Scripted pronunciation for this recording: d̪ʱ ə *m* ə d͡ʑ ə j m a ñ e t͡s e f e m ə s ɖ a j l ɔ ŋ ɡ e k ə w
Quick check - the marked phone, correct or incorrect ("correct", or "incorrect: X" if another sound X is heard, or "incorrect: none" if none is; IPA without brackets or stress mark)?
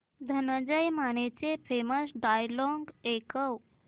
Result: incorrect: n